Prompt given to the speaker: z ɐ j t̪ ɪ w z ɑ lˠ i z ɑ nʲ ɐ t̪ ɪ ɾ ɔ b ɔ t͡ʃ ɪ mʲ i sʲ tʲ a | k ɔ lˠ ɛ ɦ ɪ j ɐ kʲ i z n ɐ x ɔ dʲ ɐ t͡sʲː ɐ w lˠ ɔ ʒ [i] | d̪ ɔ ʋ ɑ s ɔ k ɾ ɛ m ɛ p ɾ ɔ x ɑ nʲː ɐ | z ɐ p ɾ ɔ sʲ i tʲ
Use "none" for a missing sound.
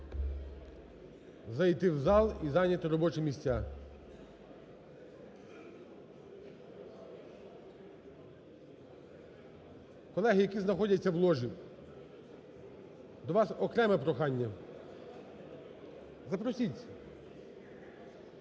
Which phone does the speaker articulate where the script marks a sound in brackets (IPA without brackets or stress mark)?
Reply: i